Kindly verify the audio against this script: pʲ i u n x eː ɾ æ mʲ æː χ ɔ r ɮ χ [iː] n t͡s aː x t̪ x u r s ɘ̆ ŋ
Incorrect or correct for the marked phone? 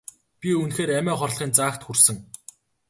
correct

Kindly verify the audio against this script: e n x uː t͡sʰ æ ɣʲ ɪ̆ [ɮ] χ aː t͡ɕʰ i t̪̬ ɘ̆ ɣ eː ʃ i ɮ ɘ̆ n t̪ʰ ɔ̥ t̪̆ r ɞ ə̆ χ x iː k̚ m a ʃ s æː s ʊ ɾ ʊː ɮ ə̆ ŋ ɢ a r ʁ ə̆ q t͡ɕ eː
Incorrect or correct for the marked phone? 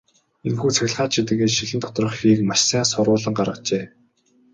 correct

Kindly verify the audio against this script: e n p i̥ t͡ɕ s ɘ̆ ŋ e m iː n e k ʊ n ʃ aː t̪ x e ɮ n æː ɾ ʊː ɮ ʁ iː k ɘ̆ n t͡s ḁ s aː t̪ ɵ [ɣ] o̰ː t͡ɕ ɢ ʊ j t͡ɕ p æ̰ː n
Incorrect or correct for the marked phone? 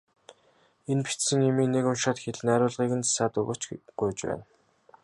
correct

